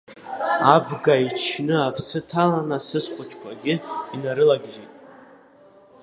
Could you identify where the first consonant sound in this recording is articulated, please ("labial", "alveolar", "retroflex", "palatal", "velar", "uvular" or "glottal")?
labial